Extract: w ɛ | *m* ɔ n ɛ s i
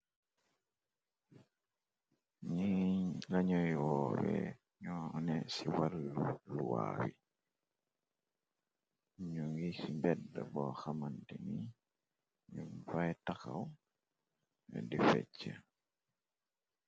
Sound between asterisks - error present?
yes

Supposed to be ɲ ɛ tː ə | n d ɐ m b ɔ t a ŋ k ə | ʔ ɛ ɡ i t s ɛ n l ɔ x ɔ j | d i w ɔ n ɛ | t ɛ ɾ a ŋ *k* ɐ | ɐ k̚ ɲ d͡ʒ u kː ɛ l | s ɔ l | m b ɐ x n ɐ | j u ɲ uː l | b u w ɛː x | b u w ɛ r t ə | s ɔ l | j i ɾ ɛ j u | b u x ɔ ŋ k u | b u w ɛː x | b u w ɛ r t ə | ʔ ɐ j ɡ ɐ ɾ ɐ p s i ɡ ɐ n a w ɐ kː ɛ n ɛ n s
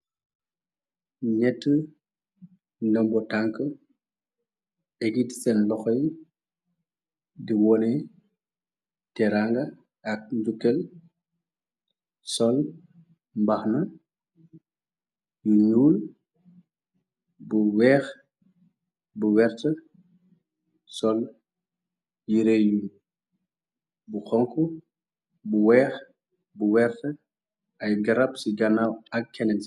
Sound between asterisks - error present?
yes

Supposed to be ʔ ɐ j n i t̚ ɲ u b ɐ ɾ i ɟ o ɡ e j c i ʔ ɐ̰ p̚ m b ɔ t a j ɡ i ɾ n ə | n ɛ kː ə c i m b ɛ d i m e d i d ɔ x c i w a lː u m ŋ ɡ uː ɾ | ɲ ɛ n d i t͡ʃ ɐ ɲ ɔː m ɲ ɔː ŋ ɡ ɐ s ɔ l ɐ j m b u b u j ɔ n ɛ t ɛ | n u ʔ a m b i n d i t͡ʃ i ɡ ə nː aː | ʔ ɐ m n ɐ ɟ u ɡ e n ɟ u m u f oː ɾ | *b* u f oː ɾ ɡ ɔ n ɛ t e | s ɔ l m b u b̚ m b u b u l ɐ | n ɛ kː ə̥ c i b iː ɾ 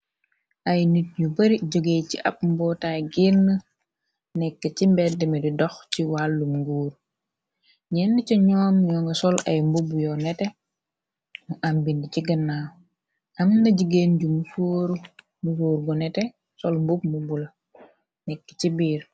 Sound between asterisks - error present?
yes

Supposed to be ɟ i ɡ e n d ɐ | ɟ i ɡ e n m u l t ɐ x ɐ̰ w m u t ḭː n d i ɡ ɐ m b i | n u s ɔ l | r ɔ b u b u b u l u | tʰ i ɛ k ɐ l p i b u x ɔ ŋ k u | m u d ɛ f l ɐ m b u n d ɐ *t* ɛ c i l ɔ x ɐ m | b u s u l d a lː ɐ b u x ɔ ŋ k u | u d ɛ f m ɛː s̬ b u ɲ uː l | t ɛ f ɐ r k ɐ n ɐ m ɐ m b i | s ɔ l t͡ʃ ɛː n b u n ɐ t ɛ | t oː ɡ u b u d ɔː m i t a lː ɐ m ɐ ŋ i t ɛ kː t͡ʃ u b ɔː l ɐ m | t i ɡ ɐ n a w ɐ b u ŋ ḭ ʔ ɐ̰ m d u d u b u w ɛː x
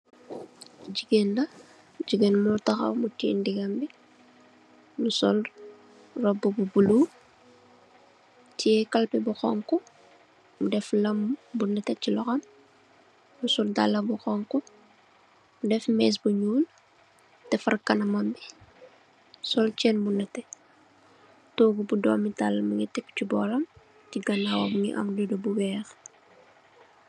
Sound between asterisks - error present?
no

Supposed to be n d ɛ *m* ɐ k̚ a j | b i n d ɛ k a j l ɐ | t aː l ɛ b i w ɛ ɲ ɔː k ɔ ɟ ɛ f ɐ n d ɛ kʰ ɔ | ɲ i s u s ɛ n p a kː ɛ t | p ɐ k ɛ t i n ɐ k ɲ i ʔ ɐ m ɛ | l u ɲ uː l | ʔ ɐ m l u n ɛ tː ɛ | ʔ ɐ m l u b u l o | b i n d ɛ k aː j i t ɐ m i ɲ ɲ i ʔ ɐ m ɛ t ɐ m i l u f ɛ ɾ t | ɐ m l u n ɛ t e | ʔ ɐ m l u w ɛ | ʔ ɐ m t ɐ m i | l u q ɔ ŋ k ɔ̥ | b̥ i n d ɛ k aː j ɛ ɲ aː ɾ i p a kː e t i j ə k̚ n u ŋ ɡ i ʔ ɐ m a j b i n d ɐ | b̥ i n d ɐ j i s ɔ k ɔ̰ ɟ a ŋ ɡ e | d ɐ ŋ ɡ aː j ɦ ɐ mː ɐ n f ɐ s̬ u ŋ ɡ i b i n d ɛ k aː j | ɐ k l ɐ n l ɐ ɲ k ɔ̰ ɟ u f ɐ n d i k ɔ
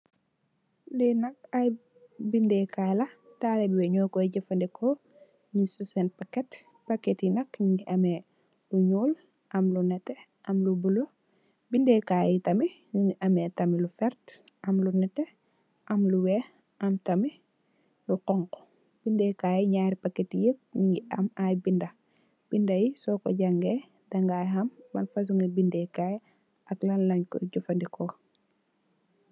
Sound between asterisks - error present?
yes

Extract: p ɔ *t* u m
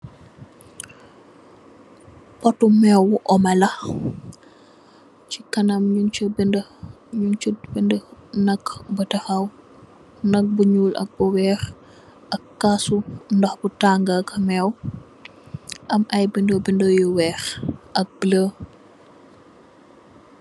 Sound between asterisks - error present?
no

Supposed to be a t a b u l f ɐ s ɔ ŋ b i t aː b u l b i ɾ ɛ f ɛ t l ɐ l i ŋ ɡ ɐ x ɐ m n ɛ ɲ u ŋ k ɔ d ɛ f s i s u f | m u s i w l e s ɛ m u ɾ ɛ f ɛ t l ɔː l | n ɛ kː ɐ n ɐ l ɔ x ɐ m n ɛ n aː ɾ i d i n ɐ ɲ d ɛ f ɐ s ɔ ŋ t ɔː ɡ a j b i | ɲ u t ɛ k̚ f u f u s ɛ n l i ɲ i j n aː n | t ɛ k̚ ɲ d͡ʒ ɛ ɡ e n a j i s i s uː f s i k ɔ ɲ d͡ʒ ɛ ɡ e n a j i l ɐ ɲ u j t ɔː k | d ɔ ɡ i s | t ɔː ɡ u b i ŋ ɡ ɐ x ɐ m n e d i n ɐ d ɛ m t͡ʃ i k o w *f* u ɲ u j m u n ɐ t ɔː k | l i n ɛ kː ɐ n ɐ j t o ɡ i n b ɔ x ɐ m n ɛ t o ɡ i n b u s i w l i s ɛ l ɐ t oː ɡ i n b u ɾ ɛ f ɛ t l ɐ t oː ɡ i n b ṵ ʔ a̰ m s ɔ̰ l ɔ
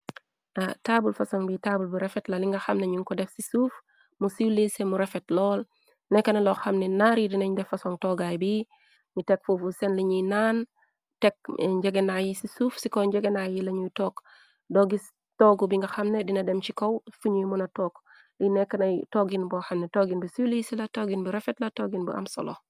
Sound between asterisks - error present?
no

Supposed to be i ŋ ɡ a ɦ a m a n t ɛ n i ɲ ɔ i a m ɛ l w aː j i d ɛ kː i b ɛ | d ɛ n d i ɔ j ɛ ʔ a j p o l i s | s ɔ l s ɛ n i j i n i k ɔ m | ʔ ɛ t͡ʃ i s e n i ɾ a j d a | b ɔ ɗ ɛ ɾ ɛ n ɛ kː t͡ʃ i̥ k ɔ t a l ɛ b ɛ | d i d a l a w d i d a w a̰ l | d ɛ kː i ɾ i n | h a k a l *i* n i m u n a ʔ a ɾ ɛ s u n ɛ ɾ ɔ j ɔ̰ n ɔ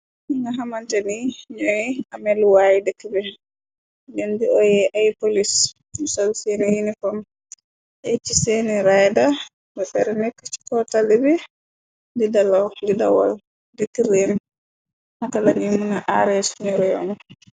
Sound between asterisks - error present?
yes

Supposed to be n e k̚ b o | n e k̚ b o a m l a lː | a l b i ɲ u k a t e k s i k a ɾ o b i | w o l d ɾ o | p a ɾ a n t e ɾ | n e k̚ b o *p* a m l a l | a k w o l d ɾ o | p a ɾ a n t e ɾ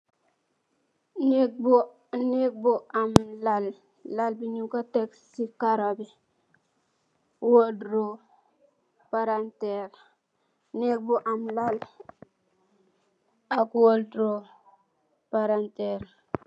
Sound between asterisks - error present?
yes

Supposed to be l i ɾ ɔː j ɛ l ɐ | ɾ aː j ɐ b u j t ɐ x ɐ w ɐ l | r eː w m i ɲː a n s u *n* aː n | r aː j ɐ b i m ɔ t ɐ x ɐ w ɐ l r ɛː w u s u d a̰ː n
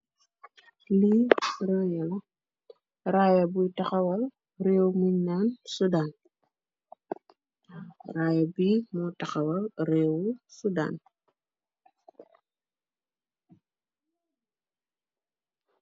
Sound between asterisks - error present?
yes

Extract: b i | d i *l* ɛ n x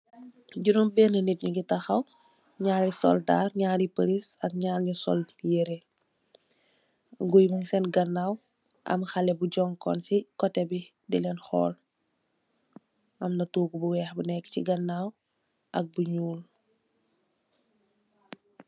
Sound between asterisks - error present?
no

